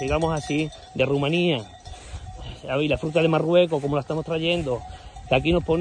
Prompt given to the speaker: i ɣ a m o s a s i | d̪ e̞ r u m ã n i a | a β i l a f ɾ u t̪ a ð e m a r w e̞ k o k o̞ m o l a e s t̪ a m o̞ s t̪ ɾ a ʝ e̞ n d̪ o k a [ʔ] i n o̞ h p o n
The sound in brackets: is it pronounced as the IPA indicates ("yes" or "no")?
no